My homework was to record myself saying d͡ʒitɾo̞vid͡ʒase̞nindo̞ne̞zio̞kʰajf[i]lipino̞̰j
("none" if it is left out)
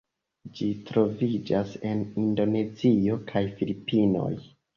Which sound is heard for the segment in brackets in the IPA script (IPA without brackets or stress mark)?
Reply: i